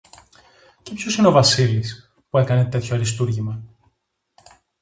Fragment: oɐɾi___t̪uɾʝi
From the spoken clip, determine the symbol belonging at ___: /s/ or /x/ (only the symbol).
s